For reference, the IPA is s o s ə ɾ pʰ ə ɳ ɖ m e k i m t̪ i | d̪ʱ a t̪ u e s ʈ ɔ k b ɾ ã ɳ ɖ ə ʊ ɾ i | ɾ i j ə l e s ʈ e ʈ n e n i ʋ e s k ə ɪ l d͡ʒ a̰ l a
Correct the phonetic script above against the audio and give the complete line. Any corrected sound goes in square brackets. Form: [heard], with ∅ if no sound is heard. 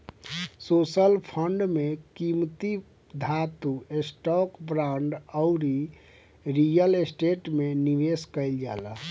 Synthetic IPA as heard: s o s ə [l] pʰ ə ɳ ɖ m e k i m t̪ i | d̪ʱ a t̪ u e s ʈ ɔ k b ɾ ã ɳ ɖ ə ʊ ɾ i | ɾ i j ə l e s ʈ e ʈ [m] e n i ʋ e s k ə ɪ l d͡ʒ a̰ l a

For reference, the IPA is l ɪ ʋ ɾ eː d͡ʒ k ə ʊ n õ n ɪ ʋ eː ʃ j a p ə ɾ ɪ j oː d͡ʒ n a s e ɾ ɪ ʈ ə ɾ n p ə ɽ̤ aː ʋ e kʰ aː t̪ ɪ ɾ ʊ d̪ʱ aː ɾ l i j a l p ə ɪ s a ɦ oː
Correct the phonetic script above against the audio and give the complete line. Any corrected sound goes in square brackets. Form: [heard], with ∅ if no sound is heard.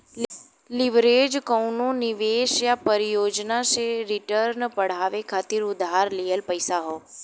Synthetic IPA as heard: l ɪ ʋ ɾ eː d͡ʒ k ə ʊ n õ n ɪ ʋ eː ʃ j a p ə ɾ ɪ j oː d͡ʒ n a s e ɾ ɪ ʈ ə ɾ n p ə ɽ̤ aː ʋ e kʰ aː t̪ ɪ ɾ ʊ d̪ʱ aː ɾ l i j [ə] l p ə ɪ s a ɦ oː

